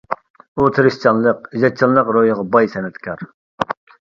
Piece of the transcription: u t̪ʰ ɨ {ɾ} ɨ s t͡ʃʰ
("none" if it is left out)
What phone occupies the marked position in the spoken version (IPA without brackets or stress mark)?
ɾ